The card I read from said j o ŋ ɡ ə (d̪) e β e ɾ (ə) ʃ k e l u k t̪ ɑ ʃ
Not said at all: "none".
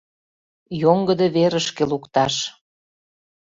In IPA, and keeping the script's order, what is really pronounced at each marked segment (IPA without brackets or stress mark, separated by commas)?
d̪, ə